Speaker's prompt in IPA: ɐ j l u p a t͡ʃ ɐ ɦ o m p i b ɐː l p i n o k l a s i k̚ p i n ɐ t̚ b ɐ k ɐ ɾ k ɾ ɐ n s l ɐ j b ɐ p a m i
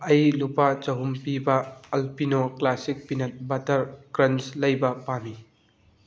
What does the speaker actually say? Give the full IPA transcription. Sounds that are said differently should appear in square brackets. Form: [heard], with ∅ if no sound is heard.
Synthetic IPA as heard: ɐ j l u p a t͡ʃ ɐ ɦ [u] m p i b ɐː l p i n o k l a s i k̚ p i n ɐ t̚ b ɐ [t] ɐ ɾ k ɾ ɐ n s l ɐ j b ɐ p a m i